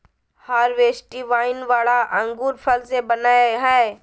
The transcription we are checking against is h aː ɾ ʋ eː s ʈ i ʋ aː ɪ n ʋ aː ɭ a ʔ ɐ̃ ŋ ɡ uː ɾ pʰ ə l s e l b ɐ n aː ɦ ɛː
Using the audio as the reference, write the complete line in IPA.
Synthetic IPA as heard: h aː ɾ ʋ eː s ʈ i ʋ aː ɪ n ʋ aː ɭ a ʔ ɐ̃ ŋ ɡ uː ɾ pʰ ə l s e b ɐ n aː ɦ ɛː